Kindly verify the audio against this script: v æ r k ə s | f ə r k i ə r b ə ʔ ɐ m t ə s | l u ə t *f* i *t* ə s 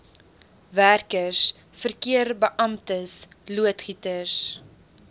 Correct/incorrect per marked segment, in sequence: incorrect: χ, correct

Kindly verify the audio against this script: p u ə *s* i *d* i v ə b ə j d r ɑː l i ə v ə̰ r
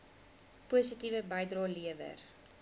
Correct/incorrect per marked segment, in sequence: correct, incorrect: t

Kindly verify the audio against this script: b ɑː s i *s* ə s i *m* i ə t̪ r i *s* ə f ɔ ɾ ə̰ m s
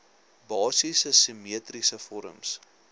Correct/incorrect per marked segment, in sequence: correct, correct, correct

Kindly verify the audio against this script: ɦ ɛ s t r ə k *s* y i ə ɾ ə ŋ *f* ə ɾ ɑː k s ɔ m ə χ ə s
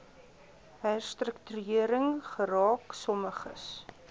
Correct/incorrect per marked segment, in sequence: incorrect: t, incorrect: χ

